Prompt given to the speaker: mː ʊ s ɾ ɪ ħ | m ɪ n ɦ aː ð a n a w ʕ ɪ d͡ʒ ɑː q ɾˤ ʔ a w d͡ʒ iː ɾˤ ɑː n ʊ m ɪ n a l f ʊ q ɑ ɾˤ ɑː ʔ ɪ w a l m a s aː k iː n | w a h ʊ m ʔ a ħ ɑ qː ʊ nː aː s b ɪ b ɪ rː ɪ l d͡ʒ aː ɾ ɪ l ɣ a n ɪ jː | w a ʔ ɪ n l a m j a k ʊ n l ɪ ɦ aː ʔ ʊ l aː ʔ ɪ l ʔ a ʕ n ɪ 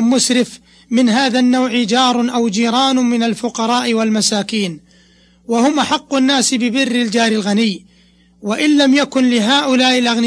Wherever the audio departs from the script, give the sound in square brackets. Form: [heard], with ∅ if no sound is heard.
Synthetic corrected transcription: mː ʊ s ɾ ɪ [f] | m ɪ n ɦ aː ð a [nː] a w ʕ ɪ d͡ʒ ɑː [∅] ɾˤ ʔ a w d͡ʒ iː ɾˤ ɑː n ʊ m ɪ n a l f ʊ q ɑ ɾˤ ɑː ʔ ɪ w a l m a s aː k iː n | w a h ʊ m ʔ a ħ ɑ qː ʊ nː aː s b ɪ b ɪ rː ɪ l d͡ʒ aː ɾ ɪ l ɣ a n ɪ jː | w a ʔ ɪ n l a m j a k ʊ n l ɪ ɦ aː ʔ ʊ l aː ʔ ɪ l ʔ a [ɣ] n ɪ